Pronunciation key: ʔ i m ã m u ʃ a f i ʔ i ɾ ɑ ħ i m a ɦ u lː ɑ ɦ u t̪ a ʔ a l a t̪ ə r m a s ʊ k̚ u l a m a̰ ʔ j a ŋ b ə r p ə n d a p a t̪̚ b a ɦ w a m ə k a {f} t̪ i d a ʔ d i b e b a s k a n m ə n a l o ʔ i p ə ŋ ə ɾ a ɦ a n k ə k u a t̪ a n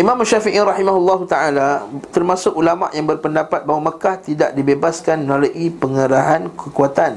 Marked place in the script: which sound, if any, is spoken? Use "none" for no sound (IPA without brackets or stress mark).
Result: h